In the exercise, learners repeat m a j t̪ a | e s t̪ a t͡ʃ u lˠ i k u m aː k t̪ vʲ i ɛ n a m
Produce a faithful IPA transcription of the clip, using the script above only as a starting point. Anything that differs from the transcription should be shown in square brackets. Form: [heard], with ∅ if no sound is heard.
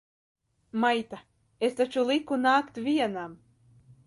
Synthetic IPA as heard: m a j t̪ a | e s t̪ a t͡ʃ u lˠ i k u [n] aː k t̪ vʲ i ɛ n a m